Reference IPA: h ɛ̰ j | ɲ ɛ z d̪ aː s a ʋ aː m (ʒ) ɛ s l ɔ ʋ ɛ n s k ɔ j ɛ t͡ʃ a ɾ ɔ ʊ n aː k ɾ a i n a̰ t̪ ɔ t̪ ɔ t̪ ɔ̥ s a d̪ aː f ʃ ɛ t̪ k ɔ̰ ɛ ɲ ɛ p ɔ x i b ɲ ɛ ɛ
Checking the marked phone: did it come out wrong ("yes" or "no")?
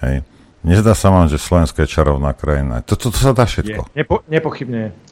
no